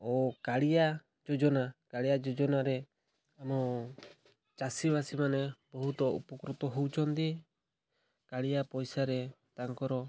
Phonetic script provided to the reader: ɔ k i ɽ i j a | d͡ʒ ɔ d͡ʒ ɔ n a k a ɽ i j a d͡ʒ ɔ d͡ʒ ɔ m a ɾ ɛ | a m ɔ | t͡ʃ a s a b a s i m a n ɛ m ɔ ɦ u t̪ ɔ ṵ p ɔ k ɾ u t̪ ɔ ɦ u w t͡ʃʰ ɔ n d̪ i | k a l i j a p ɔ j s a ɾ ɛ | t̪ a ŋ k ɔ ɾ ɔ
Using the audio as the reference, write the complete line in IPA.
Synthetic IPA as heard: ɔ k a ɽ i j a | d͡ʒ ɔ d͡ʒ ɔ n a k a ɽ i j a d͡ʒ ɔ d͡ʒ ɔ n a ɾ ɛ | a m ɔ | t͡ʃ a s i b a s i m a n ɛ b ɔ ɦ u t̪ ɔ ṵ p ɔ k ɾ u t̪ ɔ ɦ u w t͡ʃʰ ɔ n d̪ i | k a ɽ i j a p ɔ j s a ɾ ɛ | t̪ a ŋ k ɔ ɾ ɔ